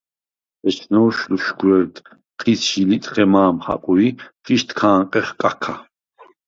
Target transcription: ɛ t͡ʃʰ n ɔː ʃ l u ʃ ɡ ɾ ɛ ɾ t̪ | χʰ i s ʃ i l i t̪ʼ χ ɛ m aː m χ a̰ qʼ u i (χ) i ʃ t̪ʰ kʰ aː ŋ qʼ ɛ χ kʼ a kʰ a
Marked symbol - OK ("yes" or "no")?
yes